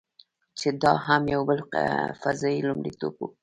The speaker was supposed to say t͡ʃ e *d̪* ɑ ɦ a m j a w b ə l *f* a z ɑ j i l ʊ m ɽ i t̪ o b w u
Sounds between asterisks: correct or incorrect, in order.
correct, correct

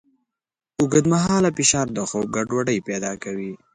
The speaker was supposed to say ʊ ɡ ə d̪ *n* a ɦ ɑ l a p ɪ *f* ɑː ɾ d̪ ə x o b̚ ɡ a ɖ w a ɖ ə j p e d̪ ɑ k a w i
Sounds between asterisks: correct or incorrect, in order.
incorrect, incorrect

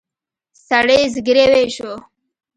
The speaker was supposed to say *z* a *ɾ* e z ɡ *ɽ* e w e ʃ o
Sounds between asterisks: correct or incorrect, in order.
incorrect, incorrect, incorrect

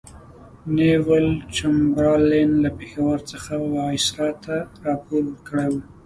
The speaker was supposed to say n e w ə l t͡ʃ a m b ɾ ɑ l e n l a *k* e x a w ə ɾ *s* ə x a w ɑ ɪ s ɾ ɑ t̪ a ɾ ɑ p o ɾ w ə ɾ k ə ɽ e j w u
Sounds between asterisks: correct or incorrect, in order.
incorrect, incorrect

